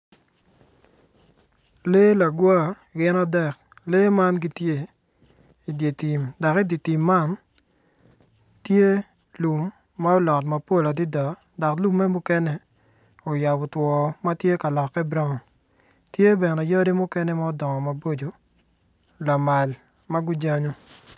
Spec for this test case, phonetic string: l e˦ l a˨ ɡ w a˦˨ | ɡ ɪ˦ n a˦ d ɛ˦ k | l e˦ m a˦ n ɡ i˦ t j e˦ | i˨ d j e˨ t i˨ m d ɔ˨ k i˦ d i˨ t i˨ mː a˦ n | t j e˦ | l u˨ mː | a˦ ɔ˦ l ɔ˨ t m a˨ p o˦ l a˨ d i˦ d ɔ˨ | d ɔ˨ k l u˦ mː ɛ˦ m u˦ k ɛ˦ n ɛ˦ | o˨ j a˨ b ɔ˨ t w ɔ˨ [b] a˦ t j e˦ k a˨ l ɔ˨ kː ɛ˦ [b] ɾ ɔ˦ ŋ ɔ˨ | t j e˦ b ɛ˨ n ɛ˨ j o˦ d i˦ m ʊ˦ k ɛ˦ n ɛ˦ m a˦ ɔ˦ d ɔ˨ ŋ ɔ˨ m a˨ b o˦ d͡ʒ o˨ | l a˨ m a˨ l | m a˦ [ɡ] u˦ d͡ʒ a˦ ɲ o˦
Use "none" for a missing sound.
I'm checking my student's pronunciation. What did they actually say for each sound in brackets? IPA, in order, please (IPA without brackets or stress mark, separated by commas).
m, b, ɡ